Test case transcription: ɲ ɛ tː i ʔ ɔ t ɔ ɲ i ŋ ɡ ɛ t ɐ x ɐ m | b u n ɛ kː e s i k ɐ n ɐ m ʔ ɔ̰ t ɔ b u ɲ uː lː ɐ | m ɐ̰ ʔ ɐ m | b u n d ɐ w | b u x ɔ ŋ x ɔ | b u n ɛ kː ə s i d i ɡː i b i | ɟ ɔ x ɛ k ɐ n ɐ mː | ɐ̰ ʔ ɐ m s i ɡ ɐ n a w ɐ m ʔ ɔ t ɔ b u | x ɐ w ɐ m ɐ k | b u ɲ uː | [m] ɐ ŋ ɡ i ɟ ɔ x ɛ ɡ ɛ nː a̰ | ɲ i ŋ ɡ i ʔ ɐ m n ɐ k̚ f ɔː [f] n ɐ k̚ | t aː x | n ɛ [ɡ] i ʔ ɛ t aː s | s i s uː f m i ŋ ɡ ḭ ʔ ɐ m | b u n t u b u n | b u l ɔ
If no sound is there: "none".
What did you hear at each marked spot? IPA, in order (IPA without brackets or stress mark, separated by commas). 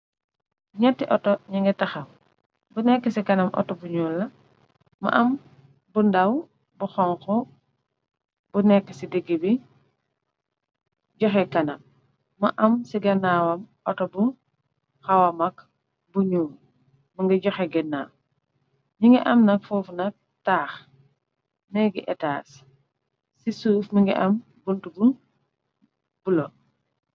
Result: m, f, ɡ